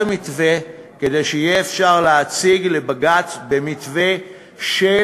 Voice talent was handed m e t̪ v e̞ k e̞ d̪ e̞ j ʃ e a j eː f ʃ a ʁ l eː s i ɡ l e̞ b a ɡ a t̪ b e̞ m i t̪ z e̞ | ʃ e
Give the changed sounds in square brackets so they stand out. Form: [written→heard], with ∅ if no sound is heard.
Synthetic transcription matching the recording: m [e→i] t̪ v e̞ k e̞ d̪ e̞ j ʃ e [a→i] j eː f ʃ a ʁ l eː [s→t͡s] i ɡ l e̞ b a ɡ a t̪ b e̞ m i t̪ [z→v] e̞ | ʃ e